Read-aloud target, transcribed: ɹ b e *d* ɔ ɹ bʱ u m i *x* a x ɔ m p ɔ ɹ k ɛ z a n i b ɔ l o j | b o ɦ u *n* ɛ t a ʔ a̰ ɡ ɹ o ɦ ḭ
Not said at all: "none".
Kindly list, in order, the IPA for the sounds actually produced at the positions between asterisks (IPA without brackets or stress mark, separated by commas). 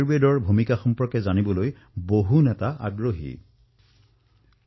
d, k, n